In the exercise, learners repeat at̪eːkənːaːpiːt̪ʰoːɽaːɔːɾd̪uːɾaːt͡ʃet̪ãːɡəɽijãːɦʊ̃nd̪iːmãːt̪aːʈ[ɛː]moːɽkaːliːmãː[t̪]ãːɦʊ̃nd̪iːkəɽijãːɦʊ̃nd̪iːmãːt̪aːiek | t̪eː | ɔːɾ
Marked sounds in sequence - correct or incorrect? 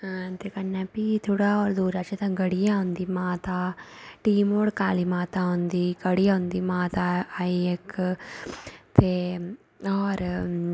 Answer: incorrect: iː, correct

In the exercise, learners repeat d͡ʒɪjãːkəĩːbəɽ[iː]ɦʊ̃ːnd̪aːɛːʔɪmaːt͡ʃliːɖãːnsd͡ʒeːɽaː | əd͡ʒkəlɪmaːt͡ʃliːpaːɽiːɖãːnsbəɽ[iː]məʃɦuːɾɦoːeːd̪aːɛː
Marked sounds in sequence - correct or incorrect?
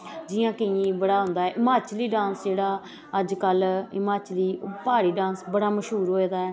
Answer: incorrect: aː, incorrect: aː

